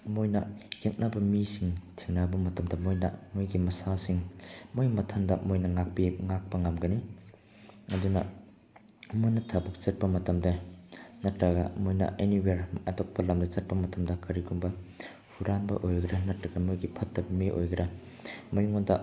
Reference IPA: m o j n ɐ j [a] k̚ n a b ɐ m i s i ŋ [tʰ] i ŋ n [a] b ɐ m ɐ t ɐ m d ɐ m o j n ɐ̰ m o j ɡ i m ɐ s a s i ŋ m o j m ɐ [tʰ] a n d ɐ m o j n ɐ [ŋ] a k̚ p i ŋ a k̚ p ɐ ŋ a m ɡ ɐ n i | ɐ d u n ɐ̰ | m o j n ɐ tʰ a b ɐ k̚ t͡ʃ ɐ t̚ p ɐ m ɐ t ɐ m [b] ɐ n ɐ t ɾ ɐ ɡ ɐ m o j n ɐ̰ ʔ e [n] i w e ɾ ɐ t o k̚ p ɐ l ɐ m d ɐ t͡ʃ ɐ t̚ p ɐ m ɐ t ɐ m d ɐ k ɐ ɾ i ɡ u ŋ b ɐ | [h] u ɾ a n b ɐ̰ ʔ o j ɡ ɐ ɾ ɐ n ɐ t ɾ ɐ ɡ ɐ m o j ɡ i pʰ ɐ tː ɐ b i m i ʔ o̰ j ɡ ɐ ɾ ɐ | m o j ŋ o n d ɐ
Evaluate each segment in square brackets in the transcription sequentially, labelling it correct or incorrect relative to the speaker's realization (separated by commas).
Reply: incorrect, correct, correct, correct, correct, incorrect, correct, correct